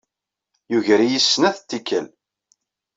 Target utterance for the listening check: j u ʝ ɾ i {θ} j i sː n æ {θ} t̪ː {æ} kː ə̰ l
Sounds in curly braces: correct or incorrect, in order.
incorrect: none, correct, incorrect: i

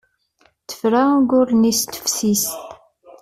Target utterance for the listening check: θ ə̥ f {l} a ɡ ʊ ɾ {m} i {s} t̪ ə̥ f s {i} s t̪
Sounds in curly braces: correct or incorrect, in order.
incorrect: ɾ, incorrect: n, correct, correct

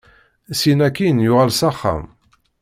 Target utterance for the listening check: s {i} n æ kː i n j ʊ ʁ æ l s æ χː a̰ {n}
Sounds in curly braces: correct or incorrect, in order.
correct, incorrect: m

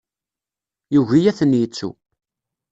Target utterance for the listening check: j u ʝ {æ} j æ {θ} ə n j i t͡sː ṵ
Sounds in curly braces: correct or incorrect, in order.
incorrect: i, correct

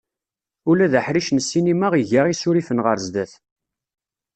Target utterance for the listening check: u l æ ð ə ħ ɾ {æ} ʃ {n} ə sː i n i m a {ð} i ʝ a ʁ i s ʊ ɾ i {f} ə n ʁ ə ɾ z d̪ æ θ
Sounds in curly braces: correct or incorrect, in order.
incorrect: i, correct, incorrect: ʁ, correct

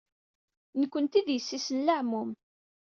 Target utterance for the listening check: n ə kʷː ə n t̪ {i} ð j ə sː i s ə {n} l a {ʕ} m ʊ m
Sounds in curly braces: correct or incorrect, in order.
correct, correct, correct

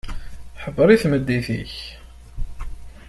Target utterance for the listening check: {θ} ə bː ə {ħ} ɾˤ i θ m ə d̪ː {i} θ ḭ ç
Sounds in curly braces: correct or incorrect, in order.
incorrect: ħ, incorrect: none, correct

